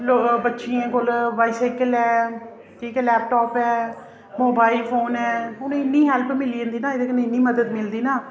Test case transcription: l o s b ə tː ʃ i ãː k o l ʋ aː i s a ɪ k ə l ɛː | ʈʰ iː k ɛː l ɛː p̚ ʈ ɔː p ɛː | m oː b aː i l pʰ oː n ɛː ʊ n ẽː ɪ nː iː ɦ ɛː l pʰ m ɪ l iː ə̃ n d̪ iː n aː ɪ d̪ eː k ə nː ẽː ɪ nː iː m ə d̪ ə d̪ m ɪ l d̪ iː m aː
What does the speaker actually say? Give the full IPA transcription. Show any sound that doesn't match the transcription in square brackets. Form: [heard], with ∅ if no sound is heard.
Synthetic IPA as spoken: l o [∅] b ə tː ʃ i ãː k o l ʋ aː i s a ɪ k ə l ɛː | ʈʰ iː k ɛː l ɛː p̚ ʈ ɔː p ɛː | m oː b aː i l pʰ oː n ɛː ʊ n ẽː ɪ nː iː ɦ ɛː l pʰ m ɪ l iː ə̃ n d̪ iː n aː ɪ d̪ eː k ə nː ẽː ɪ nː iː m ə d̪ ə d̪ m ɪ l d̪ iː [n] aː